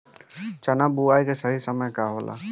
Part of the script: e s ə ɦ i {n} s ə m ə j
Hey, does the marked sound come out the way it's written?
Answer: no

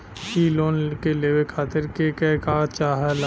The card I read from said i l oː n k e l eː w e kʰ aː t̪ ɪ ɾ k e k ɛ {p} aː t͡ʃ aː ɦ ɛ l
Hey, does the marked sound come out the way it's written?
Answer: no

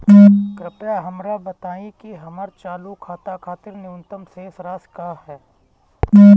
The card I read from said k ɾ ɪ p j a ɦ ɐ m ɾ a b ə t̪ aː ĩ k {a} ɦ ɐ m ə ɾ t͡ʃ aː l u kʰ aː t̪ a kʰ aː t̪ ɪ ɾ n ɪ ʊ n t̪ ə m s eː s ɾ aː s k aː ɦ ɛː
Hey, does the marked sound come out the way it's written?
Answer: no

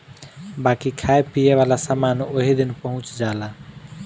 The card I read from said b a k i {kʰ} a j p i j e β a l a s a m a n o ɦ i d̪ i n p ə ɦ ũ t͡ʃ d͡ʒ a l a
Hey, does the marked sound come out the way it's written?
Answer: yes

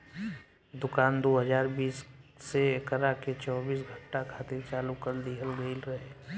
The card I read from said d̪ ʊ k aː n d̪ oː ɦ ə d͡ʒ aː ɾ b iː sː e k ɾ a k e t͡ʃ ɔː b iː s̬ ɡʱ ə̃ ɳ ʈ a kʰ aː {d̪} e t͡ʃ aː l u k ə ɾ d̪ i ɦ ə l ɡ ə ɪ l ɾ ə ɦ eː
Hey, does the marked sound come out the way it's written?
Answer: no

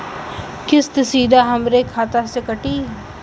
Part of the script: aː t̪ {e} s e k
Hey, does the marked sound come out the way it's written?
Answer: no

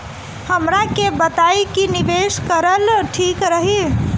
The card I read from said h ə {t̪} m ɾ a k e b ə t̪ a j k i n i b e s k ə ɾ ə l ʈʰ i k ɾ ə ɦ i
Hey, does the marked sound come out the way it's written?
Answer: no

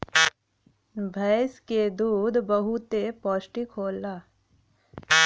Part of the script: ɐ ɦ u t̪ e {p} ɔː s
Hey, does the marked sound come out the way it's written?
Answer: yes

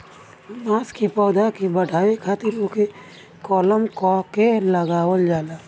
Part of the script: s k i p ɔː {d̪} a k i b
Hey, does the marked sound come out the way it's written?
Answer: yes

